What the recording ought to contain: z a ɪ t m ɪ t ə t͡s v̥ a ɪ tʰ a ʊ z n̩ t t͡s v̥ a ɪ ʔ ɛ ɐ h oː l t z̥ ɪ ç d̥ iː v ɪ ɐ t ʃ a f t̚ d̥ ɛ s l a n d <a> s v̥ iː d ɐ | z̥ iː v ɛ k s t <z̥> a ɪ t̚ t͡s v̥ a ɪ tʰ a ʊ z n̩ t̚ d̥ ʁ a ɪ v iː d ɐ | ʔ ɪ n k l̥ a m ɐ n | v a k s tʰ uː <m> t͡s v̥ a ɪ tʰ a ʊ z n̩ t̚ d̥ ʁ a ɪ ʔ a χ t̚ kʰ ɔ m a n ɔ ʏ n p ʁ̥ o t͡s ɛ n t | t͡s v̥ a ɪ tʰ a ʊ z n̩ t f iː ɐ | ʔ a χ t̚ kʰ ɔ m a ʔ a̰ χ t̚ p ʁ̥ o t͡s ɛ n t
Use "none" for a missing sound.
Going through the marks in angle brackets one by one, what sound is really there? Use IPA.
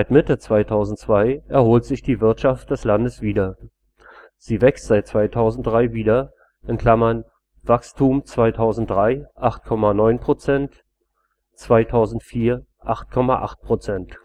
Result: ə, z̥, m

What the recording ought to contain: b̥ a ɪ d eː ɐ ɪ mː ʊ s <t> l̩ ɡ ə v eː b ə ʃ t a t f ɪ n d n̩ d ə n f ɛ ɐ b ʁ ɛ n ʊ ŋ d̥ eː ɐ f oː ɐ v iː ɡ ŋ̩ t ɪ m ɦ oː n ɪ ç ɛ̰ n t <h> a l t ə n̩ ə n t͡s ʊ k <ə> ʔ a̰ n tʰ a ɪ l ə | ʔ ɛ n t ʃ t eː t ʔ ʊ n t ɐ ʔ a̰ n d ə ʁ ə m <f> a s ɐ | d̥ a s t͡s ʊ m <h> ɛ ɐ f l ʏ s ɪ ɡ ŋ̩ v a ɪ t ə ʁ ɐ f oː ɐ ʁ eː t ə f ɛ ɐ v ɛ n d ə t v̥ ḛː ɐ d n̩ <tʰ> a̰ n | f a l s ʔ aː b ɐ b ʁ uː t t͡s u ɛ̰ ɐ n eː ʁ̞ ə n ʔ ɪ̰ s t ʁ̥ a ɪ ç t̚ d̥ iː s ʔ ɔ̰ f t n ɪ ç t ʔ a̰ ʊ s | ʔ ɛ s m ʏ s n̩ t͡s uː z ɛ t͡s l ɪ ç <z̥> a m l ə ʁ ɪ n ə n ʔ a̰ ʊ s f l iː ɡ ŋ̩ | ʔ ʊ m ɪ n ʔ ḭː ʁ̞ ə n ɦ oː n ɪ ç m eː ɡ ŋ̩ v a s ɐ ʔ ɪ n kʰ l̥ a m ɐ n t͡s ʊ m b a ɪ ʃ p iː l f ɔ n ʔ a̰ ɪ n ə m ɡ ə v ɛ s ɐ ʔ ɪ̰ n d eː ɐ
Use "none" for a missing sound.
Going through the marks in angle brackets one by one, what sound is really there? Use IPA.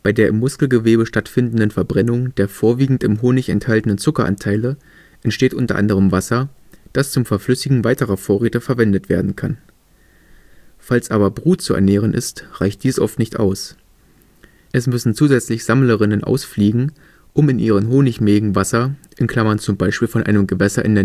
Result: k, h, ɐ, v, f, kʰ, z̥

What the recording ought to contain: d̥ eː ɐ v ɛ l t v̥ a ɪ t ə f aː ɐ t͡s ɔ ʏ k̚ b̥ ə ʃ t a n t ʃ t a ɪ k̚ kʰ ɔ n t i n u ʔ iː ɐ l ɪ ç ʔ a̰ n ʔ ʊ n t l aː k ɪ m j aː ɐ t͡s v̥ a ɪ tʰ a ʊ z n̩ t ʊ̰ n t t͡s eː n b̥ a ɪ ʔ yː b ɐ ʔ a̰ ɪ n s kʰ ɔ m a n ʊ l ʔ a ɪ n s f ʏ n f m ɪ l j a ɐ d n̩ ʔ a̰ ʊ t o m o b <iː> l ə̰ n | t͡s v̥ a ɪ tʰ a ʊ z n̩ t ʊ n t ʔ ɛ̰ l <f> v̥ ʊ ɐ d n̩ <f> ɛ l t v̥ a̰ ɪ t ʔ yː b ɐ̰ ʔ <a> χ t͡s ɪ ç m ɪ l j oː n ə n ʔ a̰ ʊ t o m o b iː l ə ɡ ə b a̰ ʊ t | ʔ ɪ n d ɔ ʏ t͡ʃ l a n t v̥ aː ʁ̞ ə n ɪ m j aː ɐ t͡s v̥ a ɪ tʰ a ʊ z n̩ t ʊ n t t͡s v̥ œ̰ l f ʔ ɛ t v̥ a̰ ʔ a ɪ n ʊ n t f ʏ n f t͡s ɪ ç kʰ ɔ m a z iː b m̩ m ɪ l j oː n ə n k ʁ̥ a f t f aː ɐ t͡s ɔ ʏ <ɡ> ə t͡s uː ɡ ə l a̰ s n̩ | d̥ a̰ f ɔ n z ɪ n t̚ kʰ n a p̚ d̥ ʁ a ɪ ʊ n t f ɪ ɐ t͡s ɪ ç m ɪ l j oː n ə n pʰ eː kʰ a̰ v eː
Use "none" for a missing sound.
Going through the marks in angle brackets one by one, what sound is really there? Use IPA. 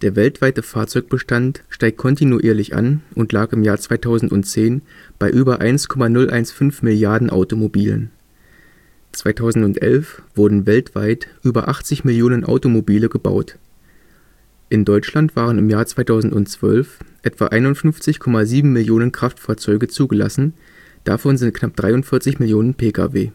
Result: iː, f, v, a, ɡ

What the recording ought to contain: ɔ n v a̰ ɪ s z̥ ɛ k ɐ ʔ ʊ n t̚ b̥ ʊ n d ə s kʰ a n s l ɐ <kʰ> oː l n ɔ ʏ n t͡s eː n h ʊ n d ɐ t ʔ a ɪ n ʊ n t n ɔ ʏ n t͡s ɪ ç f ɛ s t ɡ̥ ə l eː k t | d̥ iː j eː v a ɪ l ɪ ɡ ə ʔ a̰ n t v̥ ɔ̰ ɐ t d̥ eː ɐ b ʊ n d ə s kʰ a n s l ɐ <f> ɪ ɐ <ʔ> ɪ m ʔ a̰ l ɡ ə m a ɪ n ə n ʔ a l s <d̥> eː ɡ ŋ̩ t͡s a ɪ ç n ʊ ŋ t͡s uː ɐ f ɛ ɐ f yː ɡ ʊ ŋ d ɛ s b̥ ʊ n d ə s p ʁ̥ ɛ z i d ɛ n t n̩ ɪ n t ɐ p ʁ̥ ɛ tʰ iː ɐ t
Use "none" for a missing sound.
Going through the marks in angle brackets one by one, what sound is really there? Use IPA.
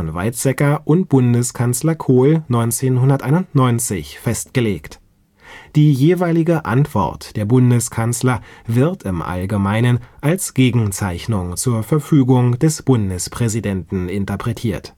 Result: kʰ, v, t, ɡ̥

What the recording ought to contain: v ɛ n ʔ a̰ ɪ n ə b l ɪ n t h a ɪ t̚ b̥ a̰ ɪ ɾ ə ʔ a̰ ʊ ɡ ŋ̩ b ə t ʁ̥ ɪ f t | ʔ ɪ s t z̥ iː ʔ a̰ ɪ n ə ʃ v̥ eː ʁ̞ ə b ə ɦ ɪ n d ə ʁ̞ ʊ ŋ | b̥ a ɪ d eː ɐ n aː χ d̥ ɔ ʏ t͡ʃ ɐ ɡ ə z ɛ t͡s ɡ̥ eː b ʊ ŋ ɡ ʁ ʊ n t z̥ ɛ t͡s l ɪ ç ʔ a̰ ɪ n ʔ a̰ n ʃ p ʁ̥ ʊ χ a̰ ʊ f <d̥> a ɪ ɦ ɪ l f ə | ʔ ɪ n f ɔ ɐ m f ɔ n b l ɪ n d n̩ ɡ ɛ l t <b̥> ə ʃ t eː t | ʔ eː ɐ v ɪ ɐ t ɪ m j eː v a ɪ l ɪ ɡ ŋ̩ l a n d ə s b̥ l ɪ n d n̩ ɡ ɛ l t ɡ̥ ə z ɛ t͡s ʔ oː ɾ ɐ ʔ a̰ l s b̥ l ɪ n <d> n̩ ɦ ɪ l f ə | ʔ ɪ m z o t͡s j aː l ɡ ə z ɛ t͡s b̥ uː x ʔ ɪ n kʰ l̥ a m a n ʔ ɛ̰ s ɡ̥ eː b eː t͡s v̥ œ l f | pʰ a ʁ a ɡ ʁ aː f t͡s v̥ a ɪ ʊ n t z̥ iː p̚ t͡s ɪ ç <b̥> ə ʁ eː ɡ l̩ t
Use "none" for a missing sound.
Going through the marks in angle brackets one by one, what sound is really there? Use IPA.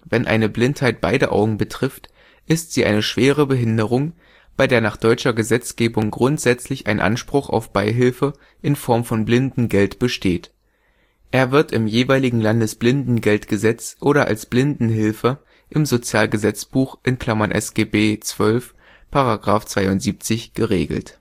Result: b̥, b̥, d, ɡ̥

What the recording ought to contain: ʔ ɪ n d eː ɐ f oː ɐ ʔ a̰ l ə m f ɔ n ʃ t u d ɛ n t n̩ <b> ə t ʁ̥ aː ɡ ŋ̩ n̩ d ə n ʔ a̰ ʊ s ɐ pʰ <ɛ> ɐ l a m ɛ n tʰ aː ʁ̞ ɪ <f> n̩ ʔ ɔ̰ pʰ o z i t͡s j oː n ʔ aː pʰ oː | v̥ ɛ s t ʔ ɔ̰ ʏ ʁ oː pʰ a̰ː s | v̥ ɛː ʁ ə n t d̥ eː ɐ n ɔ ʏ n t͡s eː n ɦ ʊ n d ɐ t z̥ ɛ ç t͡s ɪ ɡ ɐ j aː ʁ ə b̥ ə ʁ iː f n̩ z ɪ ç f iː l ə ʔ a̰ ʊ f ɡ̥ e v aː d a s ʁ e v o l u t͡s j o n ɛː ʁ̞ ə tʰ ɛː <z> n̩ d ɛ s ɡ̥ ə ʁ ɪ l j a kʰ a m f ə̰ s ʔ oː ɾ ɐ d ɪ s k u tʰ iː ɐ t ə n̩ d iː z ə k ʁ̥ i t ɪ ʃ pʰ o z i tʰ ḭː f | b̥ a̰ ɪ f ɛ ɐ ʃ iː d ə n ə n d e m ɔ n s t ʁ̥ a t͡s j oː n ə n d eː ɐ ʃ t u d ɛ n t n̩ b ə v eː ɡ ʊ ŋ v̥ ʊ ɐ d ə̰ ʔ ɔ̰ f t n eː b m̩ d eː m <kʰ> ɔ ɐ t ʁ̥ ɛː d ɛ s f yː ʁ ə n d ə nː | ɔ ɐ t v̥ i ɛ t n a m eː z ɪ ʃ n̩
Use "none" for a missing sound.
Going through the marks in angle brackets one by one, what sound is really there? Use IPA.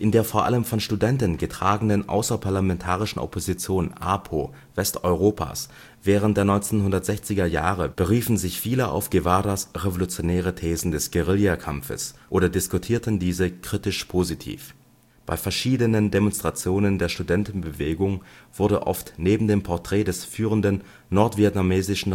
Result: ɡ, a, ʃ, z, pʰ

